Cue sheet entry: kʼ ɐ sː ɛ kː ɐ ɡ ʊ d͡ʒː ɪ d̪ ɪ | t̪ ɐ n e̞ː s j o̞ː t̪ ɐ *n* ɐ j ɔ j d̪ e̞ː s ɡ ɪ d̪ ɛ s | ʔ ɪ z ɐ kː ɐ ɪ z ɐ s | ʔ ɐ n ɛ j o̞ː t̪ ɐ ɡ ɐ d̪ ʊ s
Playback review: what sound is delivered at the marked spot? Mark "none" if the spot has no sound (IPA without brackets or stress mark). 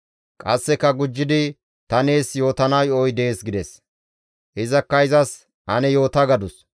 n